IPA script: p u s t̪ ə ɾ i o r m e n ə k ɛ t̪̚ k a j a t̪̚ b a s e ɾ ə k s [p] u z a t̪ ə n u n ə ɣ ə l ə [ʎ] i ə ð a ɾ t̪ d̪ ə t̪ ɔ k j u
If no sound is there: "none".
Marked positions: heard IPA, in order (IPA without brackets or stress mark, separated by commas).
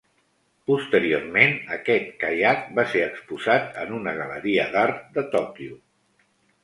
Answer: p, ɾ